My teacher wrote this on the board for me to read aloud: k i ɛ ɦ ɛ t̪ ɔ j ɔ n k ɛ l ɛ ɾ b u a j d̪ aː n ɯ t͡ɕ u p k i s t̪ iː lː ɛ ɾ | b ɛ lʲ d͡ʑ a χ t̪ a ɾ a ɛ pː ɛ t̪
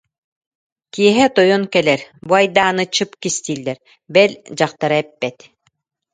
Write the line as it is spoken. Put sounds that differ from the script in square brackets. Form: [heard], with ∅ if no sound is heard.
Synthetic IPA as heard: k i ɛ ɦ ɛ t̪ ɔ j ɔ n k ɛ l ɛ ɾ b u a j d̪ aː n ɯ t͡ɕ [ɯ] p k i s t̪ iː lː ɛ ɾ | b ɛ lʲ d͡ʑ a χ t̪ a ɾ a ɛ pː ɛ t̪